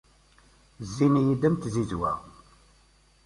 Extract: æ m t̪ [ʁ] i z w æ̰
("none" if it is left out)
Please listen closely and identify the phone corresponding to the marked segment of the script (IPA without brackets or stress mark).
z